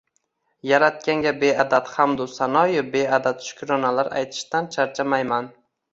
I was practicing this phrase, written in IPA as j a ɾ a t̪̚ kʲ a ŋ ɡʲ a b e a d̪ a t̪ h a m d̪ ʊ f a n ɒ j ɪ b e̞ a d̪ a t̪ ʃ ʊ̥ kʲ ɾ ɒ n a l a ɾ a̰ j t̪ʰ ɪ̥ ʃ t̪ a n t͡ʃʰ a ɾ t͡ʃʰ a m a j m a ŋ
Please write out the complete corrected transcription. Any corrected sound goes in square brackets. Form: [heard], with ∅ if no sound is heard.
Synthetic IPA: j a ɾ a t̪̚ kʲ a ŋ ɡʲ a b e a d̪ a t̪ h a m d̪ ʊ [s] a n ɒ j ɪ b e̞ a d̪ a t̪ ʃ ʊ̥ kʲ ɾ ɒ n a l a ɾ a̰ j t̪ʰ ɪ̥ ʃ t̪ a n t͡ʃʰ a ɾ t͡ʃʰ a m a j m a [n]